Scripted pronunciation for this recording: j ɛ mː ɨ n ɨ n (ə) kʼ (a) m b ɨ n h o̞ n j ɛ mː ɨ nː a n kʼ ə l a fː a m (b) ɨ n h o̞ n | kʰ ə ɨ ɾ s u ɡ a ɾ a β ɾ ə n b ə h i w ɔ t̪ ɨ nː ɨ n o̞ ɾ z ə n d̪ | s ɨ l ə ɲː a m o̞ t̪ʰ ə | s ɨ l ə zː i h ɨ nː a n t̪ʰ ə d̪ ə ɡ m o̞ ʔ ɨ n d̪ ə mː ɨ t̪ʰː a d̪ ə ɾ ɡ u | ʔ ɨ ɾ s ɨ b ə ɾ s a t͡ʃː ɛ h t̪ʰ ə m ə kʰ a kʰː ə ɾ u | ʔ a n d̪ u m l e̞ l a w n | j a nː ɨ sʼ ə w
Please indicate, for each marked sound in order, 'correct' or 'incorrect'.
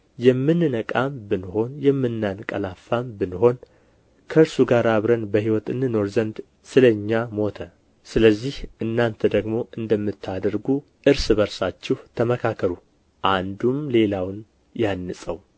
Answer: correct, correct, correct

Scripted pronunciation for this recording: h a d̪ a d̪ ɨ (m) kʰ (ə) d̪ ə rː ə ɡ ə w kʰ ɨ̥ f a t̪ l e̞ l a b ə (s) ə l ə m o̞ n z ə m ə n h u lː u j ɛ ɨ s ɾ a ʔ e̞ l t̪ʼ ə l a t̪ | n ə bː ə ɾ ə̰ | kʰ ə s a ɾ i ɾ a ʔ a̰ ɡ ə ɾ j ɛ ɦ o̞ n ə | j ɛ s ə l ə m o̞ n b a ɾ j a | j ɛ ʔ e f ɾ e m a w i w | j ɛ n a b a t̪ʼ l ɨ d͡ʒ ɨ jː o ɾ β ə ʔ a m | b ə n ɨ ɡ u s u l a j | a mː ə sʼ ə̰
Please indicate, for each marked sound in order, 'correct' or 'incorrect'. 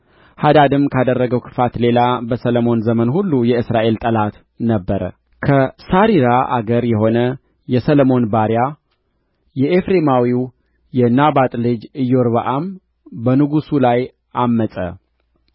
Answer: correct, incorrect, correct

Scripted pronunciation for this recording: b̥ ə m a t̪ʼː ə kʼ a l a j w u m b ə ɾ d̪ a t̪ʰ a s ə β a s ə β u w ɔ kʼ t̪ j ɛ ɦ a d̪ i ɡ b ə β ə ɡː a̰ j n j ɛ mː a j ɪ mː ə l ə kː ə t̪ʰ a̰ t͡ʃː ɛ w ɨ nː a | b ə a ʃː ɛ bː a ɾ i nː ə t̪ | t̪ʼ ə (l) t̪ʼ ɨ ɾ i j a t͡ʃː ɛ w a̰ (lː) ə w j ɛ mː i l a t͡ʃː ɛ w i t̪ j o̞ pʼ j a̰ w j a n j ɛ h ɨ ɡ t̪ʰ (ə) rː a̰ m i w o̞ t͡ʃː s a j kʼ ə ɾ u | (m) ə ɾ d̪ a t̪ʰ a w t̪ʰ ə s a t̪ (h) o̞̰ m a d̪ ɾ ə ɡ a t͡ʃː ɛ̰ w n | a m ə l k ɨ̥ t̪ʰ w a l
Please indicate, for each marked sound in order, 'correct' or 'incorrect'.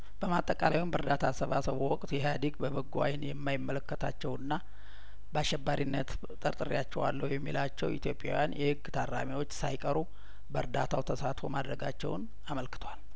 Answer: incorrect, correct, incorrect, incorrect, incorrect

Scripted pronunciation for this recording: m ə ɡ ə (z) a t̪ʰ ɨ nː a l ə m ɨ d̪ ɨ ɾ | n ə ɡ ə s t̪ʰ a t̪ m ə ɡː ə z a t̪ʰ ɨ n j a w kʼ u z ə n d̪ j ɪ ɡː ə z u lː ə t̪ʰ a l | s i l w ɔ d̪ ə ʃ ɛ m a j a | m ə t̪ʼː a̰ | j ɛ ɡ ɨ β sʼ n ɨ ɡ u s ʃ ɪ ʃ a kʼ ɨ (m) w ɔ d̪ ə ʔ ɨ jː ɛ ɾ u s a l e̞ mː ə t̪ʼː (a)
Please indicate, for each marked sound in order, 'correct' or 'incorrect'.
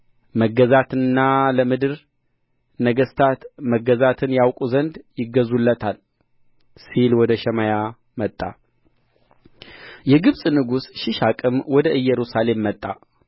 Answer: correct, correct, correct

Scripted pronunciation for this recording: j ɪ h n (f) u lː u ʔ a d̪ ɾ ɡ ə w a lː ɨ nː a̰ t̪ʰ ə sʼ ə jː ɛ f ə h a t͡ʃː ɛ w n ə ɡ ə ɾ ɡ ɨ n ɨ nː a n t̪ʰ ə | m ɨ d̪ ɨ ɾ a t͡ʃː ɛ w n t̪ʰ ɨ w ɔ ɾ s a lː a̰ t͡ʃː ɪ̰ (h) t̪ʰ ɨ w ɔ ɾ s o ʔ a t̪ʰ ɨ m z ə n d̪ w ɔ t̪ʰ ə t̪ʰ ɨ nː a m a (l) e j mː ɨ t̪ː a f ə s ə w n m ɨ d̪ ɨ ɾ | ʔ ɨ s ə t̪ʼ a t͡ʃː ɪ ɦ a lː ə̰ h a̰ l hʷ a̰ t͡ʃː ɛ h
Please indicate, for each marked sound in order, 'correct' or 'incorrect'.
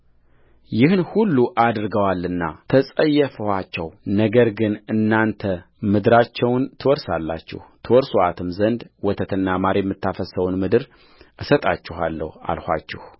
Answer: incorrect, correct, incorrect

